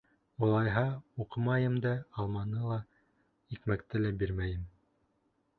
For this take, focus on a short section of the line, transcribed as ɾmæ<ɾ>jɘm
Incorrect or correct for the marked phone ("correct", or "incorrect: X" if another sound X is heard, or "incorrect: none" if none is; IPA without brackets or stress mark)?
incorrect: none